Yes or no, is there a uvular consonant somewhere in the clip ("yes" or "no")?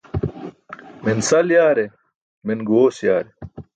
no